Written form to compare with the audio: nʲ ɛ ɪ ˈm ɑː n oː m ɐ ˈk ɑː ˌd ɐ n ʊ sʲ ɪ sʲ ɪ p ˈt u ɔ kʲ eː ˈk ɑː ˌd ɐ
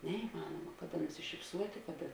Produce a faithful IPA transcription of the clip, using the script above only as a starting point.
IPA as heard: nʲ ɛ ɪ ˈm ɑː n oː m ɐ ˈk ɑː ˌd ɐ n ʊ sʲ ɪ ʃʲ ɪ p ˈs u ɔ tʲ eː ˈk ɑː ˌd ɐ

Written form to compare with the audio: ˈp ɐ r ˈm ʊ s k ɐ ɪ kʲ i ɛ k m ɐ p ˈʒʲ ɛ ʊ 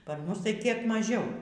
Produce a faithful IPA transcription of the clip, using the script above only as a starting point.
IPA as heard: ˈp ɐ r ˈm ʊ s t ɐ ɪ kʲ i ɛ k m ɐ ˈʒʲ ɛ ʊ

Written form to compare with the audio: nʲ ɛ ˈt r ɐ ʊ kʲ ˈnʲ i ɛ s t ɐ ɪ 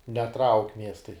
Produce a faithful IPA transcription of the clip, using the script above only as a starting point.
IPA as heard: nʲ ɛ ˈt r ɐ ʊ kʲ ˈmʲ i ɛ s t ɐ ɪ

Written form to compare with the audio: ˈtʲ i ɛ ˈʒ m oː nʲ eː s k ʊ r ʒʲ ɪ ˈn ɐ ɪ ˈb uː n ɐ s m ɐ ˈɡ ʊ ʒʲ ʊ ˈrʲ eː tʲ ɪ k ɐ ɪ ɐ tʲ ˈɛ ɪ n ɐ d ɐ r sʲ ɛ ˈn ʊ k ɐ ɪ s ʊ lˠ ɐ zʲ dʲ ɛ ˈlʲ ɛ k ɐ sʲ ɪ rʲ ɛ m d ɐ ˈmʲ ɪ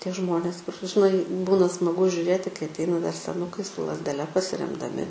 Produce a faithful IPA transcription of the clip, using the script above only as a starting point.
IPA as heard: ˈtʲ i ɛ ˈʒ m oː nʲ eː s k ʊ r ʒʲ ɪ ˈn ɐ ɪ ˈb uː n ɐ s m ɐ ˈɡ ʊ ʒʲ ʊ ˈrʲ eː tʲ ɪ k ɐ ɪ ɐ tʲ ˈɛ ɪ n ɐ d ɐ r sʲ ɛ ˈn ʊ k ɐ ɪ s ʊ lˠ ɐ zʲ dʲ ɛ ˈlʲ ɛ p ɐ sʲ ɪ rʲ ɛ m d ɐ ˈmʲ ɪ

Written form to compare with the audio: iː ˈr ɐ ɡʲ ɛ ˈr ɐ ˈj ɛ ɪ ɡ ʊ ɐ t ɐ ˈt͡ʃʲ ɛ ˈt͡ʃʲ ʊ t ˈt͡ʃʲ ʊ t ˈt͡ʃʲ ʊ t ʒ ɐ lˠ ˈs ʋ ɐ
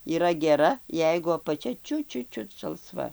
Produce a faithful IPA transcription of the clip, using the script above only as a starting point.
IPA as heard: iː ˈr ɐ ɡʲ ɛ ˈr ɐ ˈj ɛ ɪ ɡ ʊ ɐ p ɐ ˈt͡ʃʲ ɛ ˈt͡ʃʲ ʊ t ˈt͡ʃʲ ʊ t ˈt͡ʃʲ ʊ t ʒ ɐ lˠ ˈs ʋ ɐ

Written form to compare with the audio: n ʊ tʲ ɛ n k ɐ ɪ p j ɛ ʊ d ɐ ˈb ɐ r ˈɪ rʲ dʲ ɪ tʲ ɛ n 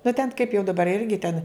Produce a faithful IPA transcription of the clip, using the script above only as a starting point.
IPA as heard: n ʊ tʲ ɛ n k ɐ ɪ p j ɛ ʊ d ɐ ˈb ɐ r ˈɪ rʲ ɡʲ ɪ tʲ ɛ n

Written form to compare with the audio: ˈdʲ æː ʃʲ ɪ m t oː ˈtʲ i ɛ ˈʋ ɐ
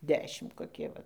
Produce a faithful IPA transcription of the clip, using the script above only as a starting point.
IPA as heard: ˈdʲ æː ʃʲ ɪ m k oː ˈkʲ i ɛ ˈʋ ɐ

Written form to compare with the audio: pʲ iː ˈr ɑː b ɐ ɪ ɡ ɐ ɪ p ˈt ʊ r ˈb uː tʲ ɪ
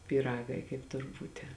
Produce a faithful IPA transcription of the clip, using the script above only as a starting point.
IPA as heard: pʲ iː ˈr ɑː ɡ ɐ ɪ k ɐ ɪ p ˈt ʊ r ˈb uː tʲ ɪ

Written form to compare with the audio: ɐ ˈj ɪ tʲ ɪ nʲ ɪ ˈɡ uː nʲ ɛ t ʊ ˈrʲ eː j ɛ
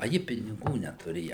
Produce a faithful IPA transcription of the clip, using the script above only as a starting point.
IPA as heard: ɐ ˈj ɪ pʲ ɪ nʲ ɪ ˈɡ uː nʲ ɛ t ʊ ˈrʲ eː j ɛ

